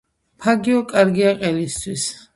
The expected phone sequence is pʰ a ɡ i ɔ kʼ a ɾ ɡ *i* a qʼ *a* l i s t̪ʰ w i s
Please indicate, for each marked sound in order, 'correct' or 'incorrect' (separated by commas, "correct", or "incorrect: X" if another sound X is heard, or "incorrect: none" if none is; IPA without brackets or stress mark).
correct, incorrect: ɛ